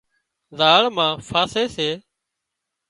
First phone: z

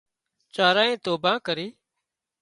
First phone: t͡ʃ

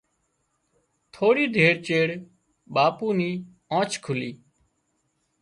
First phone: t̪ʰ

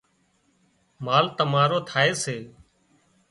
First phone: m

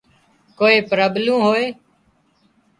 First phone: k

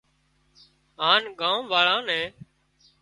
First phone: ɦ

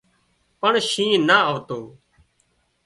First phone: p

